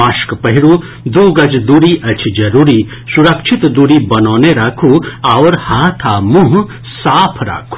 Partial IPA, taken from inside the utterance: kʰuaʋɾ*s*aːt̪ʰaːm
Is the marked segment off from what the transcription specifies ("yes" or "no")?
yes